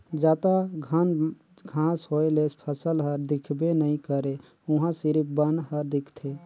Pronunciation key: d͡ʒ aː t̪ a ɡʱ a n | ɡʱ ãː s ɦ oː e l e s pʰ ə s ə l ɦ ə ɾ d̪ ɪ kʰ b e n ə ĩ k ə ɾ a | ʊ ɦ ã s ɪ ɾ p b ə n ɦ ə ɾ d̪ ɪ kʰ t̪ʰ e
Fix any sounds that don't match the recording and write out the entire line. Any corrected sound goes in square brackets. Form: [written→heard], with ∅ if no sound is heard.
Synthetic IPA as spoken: d͡ʒ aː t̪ a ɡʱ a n | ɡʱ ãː s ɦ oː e l e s pʰ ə s ə l ɦ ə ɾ d̪ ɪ kʰ b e n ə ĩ k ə ɾ [a→e] | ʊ ɦ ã s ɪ ɾ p b ə n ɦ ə ɾ d̪ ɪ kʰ t̪ʰ e

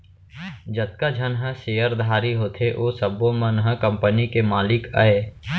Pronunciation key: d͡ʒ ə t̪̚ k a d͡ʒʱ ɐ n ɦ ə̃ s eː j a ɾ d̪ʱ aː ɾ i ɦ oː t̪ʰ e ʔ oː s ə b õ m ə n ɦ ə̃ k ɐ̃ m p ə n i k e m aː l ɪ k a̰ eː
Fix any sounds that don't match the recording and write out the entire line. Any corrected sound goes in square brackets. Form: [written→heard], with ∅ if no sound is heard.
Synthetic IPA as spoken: d͡ʒ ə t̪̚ k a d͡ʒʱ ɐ n ɦ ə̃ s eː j [a→ə] ɾ d̪ʱ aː ɾ i ɦ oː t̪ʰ e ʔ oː s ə b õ m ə n ɦ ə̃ k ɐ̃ m p ə n i k e m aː l ɪ k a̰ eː

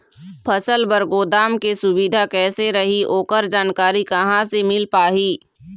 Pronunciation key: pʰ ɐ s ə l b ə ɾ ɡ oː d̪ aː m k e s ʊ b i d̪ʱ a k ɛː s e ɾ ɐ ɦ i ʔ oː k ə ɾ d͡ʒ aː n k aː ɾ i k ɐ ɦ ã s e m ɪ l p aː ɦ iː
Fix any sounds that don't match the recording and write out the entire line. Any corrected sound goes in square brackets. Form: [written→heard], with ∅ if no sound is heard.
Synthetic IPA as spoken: pʰ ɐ s ə l b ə ɾ ɡ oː d̪ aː m k e s ʊ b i d̪ʱ a k ɛː s e ɾ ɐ ɦ i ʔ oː k ə ɾ d͡ʒ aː n k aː ɾ i k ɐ ɦ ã s e m ɪ l p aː ɦ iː

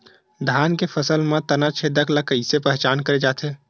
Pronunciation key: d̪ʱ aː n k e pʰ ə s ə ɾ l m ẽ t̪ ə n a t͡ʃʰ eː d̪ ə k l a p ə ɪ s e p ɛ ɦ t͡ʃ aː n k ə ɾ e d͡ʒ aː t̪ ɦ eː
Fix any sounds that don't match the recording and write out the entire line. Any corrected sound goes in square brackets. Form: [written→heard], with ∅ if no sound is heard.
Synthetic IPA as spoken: d̪ʱ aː n k e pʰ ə s ə [ɾ→∅] l m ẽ t̪ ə n a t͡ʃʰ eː d̪ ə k l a [p→k] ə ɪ s e p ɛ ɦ t͡ʃ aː n k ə ɾ e d͡ʒ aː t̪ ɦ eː

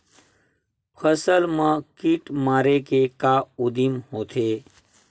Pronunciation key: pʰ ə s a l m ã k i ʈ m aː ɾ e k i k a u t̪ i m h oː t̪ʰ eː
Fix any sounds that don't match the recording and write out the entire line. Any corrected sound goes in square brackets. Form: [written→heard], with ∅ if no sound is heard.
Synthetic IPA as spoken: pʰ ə s [a→ə] l m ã k i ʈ m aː ɾ e k [i→e] k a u [t̪→d̪] i m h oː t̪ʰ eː

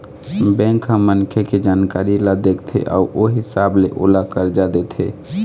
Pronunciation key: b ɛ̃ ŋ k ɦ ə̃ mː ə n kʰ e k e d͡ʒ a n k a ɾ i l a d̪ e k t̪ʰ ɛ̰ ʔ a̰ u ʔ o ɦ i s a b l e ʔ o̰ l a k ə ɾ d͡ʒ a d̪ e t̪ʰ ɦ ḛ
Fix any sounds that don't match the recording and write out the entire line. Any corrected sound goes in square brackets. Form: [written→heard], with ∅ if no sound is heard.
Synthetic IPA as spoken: b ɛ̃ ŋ k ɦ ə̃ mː ə n kʰ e k e d͡ʒ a n k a ɾ i l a d̪ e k t̪ʰ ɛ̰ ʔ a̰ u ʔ o ɦ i s a b l e ʔ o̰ l a k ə ɾ d͡ʒ a d̪ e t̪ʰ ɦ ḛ

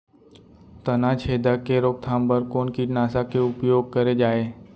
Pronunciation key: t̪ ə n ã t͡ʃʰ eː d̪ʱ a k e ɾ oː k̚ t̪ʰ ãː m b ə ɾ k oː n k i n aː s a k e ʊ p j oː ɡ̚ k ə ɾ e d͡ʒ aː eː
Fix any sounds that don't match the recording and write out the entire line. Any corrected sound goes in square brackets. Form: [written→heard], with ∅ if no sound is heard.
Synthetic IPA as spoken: t̪ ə n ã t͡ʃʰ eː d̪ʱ a k e ɾ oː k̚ t̪ʰ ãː m b ə ɾ k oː n k i n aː s a k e ʊ p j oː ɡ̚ k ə ɾ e d͡ʒ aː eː

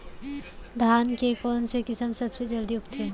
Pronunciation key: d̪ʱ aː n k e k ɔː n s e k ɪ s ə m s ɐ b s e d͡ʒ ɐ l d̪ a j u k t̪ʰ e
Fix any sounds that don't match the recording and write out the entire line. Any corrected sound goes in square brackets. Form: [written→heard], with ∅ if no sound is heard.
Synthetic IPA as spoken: d̪ʱ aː n k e k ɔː n s e k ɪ s ə m s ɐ b s e d͡ʒ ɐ l d̪ [a→i] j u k t̪ʰ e

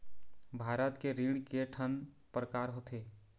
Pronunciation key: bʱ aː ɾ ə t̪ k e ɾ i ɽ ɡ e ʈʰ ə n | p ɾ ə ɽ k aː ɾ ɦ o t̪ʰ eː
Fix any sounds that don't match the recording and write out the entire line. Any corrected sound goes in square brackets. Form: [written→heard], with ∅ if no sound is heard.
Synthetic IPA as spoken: bʱ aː ɾ ə t̪ k e ɾ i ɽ [ɡ→k] e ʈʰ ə n | p ɾ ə [ɽ→∅] k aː ɾ ɦ o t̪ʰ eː

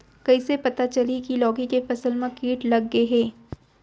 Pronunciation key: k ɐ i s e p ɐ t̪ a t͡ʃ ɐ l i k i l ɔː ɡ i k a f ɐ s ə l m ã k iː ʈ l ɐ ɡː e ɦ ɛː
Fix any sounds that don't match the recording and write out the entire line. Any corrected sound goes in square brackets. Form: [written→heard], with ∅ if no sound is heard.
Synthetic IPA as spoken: k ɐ i s e p ɐ t̪ a t͡ʃ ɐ l i k i l ɔː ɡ i k [a→e] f ɐ s ə l m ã k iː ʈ l ɐ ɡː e ɦ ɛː

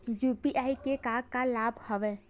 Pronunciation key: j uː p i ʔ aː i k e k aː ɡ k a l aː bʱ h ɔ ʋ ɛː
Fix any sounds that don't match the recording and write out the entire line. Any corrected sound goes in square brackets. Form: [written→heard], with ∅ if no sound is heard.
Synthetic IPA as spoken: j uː p i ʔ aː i k e k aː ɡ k a l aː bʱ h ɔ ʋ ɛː

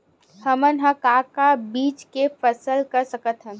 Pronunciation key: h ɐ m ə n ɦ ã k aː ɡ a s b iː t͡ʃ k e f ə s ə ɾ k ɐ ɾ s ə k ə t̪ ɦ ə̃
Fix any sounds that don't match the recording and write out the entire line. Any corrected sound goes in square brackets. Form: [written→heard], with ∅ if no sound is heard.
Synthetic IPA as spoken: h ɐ m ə n ɦ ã k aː [ɡ→k] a [s→∅] b iː t͡ʃ k e f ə s ə [ɾ→l] k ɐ ɾ s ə k ə t̪ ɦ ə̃

